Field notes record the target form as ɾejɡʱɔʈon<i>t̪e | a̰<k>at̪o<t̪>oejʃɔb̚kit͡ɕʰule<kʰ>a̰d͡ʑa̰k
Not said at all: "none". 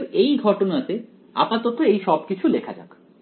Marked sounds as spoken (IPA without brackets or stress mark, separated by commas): a, p, t̪, kʰ